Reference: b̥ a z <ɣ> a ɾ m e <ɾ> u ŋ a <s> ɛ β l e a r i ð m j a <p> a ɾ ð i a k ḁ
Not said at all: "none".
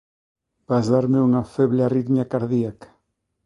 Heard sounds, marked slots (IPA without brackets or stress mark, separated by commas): ð, none, f, k